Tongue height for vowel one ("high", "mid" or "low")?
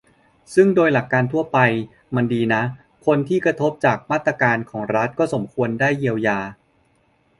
high